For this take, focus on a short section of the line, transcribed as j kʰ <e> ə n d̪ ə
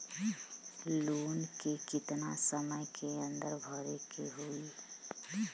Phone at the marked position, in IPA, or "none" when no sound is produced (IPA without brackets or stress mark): e